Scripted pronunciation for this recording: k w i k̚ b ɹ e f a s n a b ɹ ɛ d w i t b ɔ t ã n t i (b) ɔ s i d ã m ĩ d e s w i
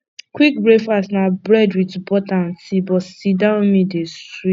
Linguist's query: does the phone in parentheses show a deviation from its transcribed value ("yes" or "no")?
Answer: no